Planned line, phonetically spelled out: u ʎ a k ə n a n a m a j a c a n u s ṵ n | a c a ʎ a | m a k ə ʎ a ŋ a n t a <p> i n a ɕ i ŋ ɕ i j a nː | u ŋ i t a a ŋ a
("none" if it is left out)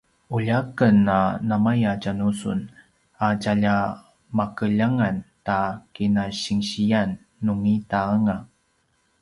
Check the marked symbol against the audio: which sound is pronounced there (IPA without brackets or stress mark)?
k